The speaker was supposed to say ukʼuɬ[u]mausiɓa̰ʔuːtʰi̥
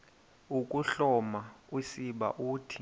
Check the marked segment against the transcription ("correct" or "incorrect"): incorrect